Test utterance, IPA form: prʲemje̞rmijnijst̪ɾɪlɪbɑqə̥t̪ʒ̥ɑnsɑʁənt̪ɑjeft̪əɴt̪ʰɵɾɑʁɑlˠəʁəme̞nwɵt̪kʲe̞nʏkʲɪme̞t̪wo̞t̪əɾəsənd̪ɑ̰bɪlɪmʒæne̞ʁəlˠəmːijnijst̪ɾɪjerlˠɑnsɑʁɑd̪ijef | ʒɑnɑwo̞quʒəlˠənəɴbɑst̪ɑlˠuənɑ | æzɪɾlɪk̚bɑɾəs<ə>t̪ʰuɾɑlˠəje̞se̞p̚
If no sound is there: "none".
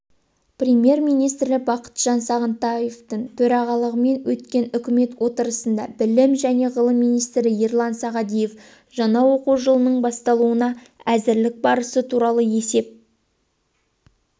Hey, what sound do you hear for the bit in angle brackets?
ə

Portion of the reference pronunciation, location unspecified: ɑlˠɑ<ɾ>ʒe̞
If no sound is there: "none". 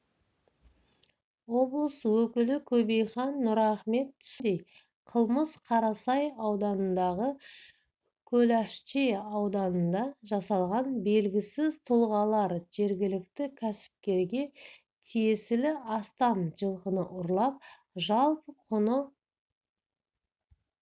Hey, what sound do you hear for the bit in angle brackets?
ɾ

